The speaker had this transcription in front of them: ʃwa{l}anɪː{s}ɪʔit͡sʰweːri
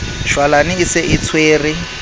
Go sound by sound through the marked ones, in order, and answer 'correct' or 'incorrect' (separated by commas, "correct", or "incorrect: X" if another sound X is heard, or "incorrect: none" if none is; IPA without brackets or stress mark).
correct, correct